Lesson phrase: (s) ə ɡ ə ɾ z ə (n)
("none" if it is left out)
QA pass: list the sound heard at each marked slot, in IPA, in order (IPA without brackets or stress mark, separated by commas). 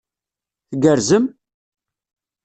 θ, m